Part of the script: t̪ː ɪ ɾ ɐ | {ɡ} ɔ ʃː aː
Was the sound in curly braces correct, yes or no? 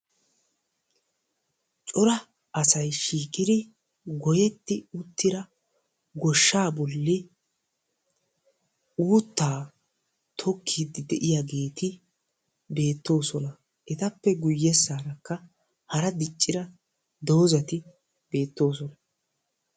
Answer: yes